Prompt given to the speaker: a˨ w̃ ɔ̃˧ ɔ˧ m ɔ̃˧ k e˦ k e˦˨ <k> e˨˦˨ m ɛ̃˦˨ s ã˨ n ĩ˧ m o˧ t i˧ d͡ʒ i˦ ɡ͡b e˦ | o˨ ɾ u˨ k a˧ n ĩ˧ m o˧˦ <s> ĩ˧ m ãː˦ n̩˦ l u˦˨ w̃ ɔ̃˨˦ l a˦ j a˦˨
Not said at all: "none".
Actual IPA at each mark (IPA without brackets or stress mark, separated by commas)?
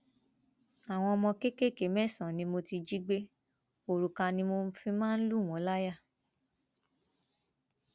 k, f